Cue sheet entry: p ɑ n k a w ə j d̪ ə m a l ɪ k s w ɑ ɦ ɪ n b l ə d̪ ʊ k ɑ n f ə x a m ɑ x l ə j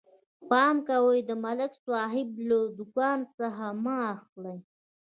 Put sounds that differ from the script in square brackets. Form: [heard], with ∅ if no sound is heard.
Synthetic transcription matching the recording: p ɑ [m] k a w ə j d̪ ə m a l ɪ k s w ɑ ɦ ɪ [∅] b l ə d̪ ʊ k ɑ n [s] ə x a m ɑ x l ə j